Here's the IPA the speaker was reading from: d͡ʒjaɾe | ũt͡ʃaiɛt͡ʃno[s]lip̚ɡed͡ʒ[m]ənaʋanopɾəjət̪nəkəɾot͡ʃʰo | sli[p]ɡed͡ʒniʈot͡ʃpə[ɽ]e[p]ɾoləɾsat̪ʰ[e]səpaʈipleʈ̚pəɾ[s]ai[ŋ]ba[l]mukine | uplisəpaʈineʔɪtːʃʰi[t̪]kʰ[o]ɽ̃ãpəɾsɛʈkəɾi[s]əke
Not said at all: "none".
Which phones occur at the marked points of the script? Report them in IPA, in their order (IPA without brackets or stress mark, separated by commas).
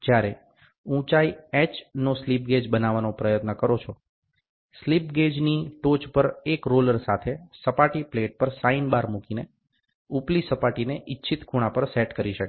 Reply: s, b, p, ɾ, k, e, s, n, ɾ, t̪, u, ʃ